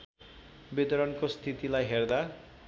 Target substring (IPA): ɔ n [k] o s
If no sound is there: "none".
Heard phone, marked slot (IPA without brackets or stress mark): k